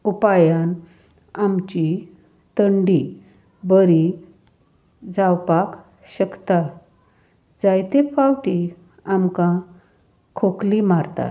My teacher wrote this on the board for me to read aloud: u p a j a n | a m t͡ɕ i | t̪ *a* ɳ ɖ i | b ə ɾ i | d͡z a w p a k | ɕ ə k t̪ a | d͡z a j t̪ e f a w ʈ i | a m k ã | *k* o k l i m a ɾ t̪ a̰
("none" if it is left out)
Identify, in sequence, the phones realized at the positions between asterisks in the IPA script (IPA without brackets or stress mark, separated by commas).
ə, kʰ